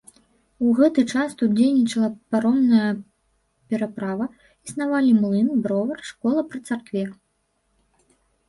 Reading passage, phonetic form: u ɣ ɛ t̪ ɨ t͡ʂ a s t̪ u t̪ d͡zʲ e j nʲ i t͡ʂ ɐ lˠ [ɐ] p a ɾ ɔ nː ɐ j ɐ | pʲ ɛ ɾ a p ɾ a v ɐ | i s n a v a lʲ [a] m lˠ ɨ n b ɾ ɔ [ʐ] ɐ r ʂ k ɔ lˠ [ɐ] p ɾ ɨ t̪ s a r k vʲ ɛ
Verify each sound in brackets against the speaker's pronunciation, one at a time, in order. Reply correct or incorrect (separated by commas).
correct, incorrect, incorrect, correct